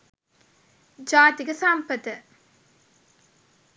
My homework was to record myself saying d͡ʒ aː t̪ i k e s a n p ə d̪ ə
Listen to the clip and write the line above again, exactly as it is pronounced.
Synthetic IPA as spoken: d͡ʒ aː t̪ i ɡ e s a m p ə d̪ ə

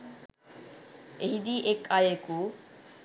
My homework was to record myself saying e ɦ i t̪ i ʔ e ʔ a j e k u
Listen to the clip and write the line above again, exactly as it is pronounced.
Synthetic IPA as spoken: e ɦ i d̪ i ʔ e k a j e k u

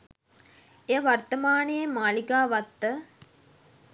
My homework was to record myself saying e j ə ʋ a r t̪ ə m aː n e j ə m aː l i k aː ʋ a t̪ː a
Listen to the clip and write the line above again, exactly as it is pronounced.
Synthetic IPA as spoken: e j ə ʋ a r t̪ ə m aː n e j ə m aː l i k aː ʋ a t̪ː ə

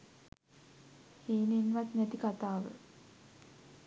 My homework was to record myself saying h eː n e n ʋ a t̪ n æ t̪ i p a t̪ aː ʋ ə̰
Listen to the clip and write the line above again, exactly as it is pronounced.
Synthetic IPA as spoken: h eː n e n ʋ a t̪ n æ t̪ i k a t̪ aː ʋ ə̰

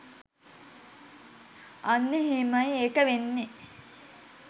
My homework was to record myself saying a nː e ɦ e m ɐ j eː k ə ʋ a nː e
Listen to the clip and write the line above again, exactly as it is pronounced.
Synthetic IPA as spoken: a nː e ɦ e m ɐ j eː k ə ʋ e nː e

